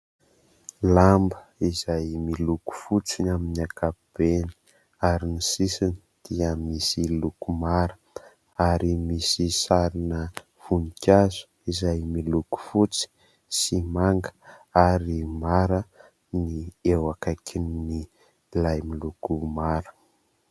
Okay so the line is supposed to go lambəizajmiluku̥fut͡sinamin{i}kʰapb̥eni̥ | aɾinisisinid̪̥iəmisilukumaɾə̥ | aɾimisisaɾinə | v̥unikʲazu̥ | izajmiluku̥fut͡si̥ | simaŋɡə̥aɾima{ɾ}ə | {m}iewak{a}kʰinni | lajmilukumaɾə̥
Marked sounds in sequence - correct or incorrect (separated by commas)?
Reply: incorrect, correct, incorrect, correct